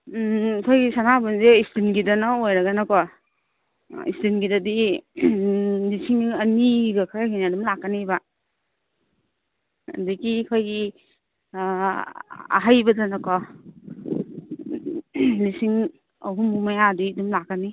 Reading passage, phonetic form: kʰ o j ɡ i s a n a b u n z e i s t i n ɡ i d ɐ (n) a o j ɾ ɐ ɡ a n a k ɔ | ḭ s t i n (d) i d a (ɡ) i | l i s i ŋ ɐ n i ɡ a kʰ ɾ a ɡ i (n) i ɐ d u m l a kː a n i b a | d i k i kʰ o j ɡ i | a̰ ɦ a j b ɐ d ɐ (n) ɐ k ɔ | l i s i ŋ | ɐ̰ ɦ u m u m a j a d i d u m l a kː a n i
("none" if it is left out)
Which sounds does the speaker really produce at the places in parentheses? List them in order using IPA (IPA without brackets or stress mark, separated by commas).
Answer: n, ɡ, d, n, n